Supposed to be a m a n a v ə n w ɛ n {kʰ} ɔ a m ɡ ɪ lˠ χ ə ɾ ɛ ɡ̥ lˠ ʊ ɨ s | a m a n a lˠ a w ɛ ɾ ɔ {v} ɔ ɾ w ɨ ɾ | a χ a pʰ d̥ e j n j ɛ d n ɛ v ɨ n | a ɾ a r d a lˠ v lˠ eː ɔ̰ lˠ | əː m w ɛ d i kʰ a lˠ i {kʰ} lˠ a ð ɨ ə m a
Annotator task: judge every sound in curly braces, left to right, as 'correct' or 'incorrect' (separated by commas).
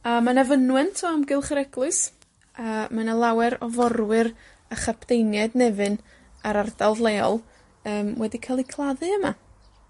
incorrect, correct, correct